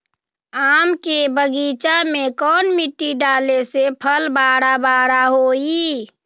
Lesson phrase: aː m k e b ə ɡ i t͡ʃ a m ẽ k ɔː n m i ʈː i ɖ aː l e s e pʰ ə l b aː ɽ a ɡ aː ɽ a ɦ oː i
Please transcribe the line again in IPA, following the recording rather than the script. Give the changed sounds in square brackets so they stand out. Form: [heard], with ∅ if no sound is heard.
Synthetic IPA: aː m k e b ə ɡ i t͡ʃ a m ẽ k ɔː n m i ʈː i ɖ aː l e s e pʰ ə l b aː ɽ a [b] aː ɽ a ɦ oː i